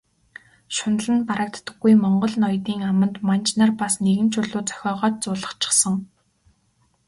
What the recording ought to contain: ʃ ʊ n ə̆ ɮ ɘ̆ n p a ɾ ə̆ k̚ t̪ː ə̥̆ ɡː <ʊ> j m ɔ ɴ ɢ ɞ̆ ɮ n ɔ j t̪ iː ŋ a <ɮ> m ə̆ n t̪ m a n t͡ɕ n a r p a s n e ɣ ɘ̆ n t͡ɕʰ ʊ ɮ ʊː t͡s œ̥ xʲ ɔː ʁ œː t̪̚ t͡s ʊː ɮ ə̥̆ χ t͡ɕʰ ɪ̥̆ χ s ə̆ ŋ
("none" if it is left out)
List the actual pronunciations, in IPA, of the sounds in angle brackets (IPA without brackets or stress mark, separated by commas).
u, none